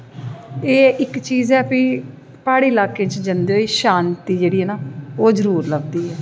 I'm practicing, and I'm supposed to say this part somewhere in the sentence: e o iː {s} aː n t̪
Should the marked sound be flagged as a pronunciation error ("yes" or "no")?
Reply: yes